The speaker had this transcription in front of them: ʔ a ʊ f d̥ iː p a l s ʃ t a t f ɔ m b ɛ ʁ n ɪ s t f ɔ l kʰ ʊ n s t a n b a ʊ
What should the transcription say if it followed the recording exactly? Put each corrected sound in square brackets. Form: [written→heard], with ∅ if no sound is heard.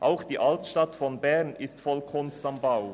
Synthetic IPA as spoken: ʔ a ʊ [f→x] d̥ iː [p→ʔ] a l [s→t] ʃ t a t f ɔ [m→n] b ɛ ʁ n ɪ s t f ɔ l kʰ ʊ n s t a [n→m] b a ʊ